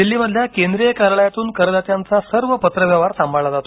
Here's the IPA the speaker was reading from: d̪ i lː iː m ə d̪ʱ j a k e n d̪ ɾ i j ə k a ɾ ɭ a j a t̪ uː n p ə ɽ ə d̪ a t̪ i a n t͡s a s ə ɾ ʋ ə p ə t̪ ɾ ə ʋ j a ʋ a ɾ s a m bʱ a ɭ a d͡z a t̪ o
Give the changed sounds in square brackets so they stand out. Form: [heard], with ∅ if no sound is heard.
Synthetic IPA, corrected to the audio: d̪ i lː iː m ə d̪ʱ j a k e n d̪ ɾ i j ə k a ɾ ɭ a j a t̪ uː n [k] ə [ɾ] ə d̪ a t̪ [j] a n t͡s a s ə ɾ ʋ ə p ə t̪ ɾ ə ʋ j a ʋ a ɾ s a m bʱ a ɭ a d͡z a t̪ o